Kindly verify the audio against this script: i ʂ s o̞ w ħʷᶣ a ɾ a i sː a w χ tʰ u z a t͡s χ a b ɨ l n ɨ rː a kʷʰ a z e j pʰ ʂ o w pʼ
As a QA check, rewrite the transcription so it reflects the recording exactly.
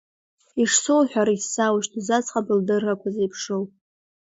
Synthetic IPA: i ʂ s o̞ w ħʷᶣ a ɾ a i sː a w ʃ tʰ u z a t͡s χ a b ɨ l d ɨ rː a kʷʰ a z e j pʰ ʂ o w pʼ